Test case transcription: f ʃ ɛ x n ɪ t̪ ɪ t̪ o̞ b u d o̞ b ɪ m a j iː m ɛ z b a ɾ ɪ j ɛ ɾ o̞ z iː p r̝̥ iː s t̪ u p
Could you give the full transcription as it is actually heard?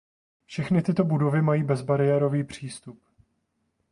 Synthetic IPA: f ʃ ɛ x n ɪ t̪ ɪ t̪ o̞ b u d o̞ v ɪ m a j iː b ɛ z b a ɾ ɪ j ɛ ɾ o̞ v iː p r̝̥ iː s t̪ u p